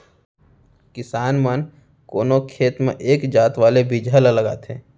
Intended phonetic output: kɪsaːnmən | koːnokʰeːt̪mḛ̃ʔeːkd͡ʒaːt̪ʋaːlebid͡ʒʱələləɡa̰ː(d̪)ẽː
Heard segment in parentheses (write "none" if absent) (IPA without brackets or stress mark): t̪